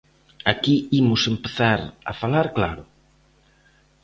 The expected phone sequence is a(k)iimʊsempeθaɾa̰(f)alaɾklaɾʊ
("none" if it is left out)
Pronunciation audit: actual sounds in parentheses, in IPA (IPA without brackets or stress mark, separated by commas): k, f